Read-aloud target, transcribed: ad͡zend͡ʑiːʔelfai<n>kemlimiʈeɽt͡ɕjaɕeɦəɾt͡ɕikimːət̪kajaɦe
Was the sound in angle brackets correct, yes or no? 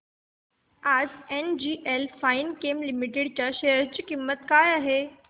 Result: yes